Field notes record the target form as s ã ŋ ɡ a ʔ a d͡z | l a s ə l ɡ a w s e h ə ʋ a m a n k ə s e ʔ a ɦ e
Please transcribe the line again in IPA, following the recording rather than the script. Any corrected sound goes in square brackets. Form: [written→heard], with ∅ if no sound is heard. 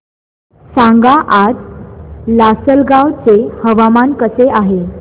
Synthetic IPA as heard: s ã ŋ ɡ a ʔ a d͡z | l a s ə l ɡ a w [s→t͡s] e h ə ʋ a m a n k ə s e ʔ a ɦ e